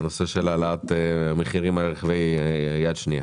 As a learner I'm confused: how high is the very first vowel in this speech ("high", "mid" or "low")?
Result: mid